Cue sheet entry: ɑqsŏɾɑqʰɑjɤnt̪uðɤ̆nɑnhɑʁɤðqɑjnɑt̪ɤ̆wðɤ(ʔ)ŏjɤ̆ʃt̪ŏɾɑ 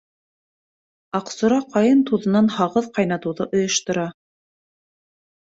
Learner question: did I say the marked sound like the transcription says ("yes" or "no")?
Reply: yes